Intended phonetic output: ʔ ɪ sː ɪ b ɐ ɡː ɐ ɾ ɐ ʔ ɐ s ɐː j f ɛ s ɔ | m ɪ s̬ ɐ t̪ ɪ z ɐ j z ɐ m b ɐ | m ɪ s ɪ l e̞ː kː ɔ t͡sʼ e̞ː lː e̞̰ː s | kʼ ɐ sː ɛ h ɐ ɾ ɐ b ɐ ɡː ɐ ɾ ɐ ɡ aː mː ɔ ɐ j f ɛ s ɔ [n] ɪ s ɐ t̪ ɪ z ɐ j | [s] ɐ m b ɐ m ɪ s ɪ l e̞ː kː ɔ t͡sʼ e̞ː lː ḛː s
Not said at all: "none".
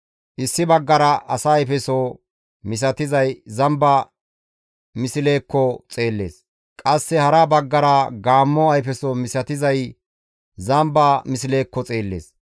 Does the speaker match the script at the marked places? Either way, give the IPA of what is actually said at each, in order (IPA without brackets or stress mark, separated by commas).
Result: m, z